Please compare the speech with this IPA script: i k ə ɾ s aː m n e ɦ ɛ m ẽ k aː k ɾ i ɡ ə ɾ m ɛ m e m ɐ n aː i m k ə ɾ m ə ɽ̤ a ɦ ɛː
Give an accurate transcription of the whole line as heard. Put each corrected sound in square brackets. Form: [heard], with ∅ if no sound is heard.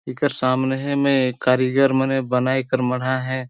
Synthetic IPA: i k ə ɾ s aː m n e ɦ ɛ m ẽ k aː [∅] ɾ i ɡ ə ɾ m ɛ [n] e [b] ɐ n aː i [∅] k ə ɾ m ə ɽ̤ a ɦ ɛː

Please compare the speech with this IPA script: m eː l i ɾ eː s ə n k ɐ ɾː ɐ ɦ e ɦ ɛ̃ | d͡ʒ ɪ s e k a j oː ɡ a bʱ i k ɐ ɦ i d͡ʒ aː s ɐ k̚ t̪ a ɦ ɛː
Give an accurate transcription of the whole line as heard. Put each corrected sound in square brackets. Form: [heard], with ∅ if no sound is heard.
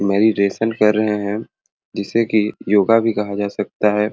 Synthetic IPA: m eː [ɾ] i ɾ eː s ə n k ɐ ɾː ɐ ɦ e ɦ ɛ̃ | d͡ʒ ɪ s e k [i] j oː ɡ a bʱ i k ɐ ɦ [a] d͡ʒ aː s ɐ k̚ t̪ a ɦ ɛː

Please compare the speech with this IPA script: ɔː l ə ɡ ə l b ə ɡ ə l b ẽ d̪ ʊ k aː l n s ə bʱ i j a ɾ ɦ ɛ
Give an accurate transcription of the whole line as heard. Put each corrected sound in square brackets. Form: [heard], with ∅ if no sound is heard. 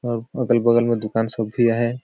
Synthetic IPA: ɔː [ɾ] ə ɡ ə l b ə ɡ ə l [m] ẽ d̪ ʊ k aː [∅] n s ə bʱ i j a [∅] ɦ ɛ

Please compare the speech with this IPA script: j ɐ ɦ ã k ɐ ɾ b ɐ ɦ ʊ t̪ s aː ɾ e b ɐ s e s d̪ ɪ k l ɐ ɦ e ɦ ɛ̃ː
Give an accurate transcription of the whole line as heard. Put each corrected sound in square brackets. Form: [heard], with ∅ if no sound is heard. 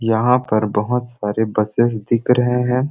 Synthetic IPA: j ɐ ɦ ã [p] ɐ ɾ b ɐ ɦ ʊ t̪ s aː ɾ e b ɐ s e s d̪ ɪ k [ɾ] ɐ ɦ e ɦ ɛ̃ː

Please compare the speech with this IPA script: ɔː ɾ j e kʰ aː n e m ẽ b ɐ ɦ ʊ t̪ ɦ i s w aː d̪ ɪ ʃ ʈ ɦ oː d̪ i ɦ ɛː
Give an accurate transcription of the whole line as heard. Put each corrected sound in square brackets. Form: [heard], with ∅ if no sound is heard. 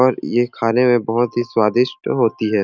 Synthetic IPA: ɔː ɾ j e kʰ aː n e m ẽ b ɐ ɦ ʊ t̪ ɦ i s w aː d̪ ɪ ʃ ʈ ɦ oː [t̪] i ɦ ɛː

